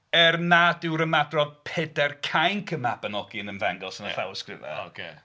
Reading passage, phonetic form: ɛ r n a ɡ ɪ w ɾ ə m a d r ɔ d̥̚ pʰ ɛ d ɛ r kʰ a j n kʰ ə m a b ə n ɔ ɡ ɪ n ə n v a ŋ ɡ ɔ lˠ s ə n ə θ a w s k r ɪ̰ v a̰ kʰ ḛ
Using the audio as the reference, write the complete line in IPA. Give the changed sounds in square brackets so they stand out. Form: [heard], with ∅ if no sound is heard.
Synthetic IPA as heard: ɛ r n a [d] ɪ w ɾ ə m a d r ɔ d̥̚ pʰ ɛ d ɛ r kʰ a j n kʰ ə m a b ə n ɔ ɡ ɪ n ə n v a ŋ ɡ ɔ lˠ s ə n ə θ a w s k r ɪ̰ v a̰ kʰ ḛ